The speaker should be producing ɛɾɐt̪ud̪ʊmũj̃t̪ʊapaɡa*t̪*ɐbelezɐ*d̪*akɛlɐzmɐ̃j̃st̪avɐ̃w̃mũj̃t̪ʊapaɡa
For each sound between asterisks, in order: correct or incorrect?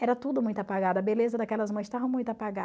incorrect: d̪, correct

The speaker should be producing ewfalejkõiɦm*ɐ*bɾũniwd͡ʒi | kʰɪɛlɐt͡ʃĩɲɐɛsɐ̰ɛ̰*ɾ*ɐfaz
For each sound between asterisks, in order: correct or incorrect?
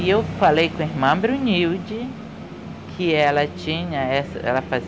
incorrect: ɐ̃, incorrect: l

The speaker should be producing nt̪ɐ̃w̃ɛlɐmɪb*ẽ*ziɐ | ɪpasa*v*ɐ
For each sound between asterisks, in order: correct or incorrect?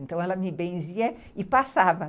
correct, correct

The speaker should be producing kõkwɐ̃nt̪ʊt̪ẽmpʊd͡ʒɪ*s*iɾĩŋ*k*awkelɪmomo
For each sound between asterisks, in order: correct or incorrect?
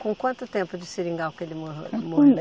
correct, incorrect: ɡ

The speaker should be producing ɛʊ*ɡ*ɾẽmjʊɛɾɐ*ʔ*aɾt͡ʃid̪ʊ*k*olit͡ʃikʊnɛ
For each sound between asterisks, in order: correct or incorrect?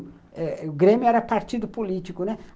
correct, incorrect: p, incorrect: p

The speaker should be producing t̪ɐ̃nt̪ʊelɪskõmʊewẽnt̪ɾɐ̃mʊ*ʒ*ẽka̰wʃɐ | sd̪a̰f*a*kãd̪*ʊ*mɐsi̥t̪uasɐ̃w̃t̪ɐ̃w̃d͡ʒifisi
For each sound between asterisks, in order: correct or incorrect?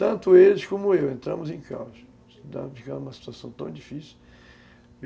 incorrect: z, incorrect: i, incorrect: u

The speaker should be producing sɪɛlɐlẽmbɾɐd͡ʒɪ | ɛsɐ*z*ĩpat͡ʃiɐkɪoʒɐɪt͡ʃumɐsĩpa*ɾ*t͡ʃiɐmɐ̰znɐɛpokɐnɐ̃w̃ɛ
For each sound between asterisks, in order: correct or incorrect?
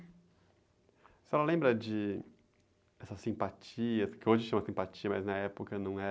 incorrect: s, incorrect: none

